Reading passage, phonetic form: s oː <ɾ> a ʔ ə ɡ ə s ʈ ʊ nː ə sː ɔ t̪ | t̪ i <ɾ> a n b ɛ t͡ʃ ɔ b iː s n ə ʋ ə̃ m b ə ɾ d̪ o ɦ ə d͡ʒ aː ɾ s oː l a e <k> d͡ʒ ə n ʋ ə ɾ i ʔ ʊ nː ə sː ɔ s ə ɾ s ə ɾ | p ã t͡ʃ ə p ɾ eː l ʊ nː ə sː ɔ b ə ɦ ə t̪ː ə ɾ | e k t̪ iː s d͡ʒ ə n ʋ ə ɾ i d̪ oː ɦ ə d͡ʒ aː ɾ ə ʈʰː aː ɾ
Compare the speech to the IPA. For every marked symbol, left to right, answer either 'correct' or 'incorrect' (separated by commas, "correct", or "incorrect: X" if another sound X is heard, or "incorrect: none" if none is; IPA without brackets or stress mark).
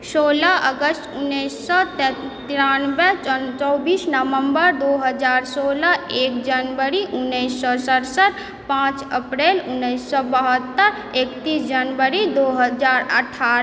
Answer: incorrect: l, correct, correct